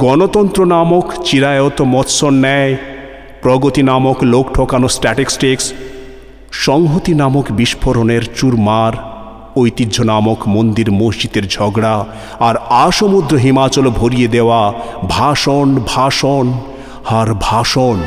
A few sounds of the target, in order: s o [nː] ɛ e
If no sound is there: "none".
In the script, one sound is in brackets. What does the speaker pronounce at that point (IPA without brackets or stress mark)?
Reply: nː